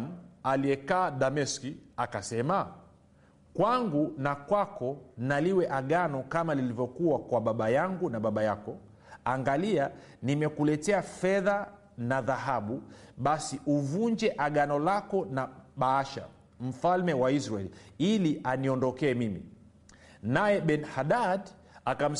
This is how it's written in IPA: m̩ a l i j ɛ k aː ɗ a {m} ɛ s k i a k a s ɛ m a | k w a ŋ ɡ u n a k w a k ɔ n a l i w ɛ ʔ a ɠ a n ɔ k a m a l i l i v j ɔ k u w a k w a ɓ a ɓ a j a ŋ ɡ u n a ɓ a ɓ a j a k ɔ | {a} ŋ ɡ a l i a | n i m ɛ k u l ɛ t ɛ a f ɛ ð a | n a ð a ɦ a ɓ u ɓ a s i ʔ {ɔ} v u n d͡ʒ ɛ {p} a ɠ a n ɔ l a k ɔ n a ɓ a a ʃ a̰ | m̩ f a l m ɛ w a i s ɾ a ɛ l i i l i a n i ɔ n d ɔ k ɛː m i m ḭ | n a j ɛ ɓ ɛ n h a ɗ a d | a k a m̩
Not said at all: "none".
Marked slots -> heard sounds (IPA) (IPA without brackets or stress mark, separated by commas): m, a, u, ʔ